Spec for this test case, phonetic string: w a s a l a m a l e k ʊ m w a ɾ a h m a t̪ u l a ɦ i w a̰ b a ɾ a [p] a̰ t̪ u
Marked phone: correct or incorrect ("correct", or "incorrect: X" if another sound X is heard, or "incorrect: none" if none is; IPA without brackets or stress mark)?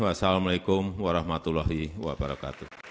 incorrect: k